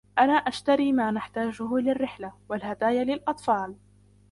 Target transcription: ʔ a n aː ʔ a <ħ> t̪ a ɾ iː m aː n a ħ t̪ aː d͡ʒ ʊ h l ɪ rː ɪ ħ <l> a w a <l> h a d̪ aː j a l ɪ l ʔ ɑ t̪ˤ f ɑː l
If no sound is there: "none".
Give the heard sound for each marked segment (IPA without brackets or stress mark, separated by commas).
ʃ, l, l